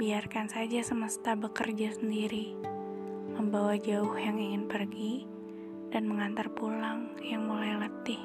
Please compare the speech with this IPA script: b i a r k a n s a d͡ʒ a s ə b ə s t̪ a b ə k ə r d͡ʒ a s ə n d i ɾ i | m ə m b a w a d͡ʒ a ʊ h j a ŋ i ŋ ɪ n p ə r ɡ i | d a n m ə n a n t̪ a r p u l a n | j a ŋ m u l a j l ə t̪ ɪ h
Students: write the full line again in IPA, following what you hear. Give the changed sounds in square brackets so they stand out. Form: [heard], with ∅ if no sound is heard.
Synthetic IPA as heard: b i a r k a n s a d͡ʒ a s ə [m] ə s t̪ a b ə k ə r d͡ʒ a s ə n d i ɾ i | m ə m b a w a d͡ʒ a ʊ h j a ŋ i ŋ ɪ n p ə r ɡ i | d a n m ə [ŋ] a n t̪ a r p u l a [ŋ] | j a ŋ m u l a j l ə t̪ ɪ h